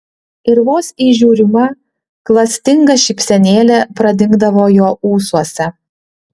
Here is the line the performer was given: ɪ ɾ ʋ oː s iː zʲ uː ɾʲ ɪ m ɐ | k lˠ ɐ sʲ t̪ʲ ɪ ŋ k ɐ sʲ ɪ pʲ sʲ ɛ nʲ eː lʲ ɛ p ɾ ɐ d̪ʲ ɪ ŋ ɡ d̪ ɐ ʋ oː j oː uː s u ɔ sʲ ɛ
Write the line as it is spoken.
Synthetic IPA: ɪ ɾ ʋ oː s iː ʒʲ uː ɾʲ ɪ m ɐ | k lˠ ɐ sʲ t̪ʲ ɪ ŋ ɡ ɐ ʃʲ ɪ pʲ sʲ ɛ nʲ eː lʲ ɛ p ɾ ɐ d̪ʲ ɪ ŋ ɡ d̪ ɐ ʋ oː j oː uː s u ɔ sʲ ɛ